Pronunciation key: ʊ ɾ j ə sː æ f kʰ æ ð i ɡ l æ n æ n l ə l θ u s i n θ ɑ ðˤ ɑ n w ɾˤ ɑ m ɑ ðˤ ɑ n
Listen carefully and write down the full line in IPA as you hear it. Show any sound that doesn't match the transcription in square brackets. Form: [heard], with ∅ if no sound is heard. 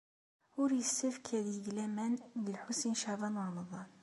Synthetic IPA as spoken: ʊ ɾ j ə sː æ f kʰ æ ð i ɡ l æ [m] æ n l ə l [ħ] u s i n [ʃ] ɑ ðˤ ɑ n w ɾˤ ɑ m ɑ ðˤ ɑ n